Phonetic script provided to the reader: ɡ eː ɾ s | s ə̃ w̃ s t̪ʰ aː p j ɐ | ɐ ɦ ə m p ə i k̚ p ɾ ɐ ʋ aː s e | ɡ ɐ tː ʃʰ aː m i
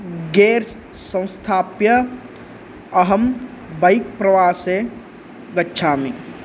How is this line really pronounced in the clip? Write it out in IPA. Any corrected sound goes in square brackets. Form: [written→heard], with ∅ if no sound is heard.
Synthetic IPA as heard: ɡ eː ɾ s | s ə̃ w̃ s t̪ʰ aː p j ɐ | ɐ ɦ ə m [p→b] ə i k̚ p ɾ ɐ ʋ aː s e | ɡ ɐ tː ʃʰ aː m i